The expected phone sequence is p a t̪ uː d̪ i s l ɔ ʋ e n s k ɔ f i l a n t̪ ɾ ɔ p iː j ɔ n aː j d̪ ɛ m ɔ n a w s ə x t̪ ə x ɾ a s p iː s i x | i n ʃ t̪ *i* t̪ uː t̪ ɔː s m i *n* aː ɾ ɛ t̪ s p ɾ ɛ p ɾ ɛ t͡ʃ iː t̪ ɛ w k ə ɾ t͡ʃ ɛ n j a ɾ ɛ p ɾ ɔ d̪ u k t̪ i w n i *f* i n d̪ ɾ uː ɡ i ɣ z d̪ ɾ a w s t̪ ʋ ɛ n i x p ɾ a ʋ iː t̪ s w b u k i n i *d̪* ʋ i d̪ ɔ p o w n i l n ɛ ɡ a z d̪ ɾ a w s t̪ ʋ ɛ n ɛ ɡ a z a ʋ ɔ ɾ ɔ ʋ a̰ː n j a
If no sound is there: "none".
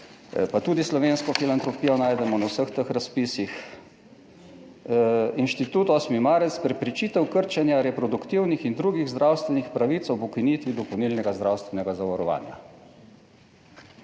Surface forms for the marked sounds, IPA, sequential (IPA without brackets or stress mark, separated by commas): i, m, x, t̪